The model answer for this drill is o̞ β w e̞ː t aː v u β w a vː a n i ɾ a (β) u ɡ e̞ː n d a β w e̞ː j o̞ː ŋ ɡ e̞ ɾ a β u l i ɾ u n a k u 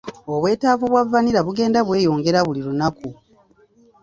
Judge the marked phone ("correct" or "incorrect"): correct